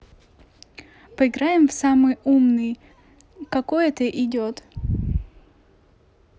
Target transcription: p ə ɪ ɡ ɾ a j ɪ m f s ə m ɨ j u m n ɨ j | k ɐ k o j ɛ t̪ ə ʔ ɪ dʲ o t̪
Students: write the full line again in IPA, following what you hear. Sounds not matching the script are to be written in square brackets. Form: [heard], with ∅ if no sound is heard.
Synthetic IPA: p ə ɪ ɡ ɾ a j ɪ m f s [a] m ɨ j u m n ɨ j | k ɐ k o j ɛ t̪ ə ʔ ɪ dʲ o t̪

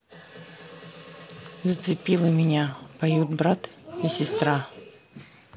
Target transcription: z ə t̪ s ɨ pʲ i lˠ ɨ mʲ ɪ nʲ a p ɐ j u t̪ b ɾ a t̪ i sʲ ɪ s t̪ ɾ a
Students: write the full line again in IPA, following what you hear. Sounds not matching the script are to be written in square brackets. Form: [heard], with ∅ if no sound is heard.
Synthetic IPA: z ə t̪ s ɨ pʲ i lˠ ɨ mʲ ɪ nʲ a p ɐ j u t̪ b ɾ a t̪ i sʲ ɪ s t̪ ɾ a

